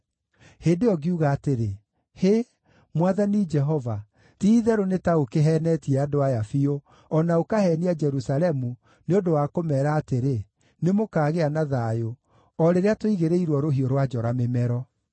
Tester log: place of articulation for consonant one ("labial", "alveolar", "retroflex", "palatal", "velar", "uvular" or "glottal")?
glottal